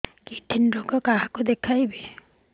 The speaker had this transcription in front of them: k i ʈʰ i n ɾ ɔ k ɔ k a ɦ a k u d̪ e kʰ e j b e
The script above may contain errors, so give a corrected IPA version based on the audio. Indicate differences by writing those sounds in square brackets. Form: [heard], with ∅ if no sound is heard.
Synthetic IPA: k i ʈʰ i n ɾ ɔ k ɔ k a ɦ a k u d̪ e kʰ [a] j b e